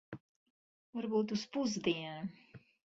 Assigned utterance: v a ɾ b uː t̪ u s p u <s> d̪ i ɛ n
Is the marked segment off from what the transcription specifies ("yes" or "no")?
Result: yes